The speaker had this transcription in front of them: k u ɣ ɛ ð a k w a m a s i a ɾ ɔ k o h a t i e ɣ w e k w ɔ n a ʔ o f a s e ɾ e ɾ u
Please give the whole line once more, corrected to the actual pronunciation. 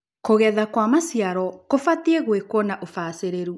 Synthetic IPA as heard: k o ɣ ɛ ð a k w a m a s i a ɾ ɔ k o f a t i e ɣ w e k w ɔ n a ʔ o f a s e ɾ e ɾ u